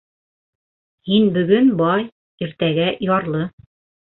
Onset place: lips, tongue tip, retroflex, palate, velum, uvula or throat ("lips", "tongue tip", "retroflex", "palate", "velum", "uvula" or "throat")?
throat